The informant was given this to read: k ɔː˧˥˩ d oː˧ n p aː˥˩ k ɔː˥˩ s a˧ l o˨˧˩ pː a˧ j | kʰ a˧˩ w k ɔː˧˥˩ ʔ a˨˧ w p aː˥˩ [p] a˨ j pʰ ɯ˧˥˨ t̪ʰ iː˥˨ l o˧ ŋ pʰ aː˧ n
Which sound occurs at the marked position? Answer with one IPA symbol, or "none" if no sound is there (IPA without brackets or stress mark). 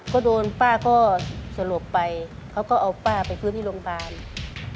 p